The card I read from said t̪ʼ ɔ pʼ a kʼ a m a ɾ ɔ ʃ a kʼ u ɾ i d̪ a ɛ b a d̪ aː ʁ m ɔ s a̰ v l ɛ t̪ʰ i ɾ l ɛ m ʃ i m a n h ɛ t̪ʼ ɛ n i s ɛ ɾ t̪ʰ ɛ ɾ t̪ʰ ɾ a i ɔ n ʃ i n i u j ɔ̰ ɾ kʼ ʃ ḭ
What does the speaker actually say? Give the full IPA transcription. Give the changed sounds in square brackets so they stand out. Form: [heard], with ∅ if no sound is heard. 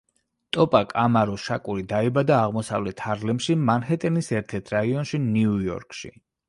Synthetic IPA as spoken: t̪ʼ ɔ pʼ a kʼ a m a ɾ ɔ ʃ a kʼ u ɾ i d̪ a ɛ b a d̪ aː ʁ m ɔ s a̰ v l ɛ t̪ʰ [a] ɾ l ɛ m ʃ i m a n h ɛ t̪ʼ ɛ n i s ɛ ɾ t̪ʰ ɛ ɾ t̪ʰ ɾ a i ɔ n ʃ i n i u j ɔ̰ ɾ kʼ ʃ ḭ